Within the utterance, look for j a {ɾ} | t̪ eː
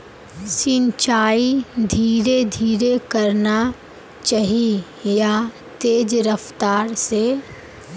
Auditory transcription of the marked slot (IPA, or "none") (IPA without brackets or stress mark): none